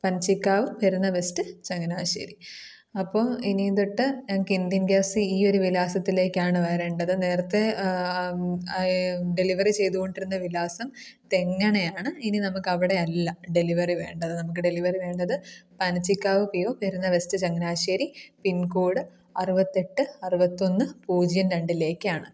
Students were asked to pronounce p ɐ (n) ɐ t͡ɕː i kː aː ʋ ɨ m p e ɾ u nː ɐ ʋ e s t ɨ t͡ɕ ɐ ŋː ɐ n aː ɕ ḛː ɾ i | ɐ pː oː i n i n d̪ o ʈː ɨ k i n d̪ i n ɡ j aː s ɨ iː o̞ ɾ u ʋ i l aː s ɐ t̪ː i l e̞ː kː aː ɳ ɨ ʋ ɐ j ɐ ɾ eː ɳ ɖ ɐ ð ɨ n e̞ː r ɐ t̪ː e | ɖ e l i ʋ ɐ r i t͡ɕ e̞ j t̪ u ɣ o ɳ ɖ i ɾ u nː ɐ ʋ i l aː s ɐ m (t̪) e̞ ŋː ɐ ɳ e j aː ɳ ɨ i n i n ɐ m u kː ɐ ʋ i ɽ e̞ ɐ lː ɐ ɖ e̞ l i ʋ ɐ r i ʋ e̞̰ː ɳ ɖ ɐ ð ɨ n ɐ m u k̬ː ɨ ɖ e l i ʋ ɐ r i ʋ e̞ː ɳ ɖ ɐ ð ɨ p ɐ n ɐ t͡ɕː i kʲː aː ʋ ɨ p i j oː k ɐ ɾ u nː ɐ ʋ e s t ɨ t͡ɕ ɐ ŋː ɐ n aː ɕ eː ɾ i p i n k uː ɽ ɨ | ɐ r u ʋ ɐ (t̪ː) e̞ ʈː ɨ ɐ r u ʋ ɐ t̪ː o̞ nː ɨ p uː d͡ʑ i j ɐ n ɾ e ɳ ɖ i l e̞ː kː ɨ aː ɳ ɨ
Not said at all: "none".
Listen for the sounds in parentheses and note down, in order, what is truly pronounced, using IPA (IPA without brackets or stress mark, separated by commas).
n, t̪, t̪ː